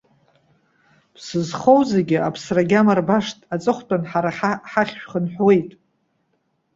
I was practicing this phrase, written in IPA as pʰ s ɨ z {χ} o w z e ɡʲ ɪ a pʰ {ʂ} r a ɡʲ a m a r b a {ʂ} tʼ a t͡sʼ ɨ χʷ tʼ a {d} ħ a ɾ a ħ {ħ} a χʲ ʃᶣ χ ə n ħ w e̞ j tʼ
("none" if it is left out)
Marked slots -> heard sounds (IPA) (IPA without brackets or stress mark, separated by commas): χ, s, ʂ, n, ħ